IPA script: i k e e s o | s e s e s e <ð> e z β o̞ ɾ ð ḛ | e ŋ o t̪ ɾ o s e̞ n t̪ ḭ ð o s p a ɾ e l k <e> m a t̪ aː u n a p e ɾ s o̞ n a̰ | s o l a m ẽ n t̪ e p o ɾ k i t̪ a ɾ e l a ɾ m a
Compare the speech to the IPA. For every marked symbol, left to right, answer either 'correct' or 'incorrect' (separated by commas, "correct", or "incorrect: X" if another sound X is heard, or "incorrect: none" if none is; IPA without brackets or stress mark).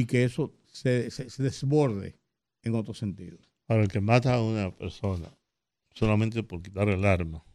correct, correct